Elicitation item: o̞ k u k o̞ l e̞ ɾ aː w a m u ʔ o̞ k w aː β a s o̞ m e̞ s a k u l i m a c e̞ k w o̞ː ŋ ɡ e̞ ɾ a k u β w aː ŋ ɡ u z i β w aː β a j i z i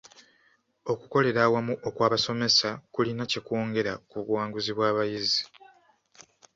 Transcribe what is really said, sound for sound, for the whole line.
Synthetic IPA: o̞ k u k o̞ l e̞ ɾ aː w a m u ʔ o̞ k w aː β a s o̞ m e̞ s a k u l i n a c e̞ k w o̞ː ŋ ɡ e̞ ɾ a k u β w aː ŋ ɡ u z i β w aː β a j i z i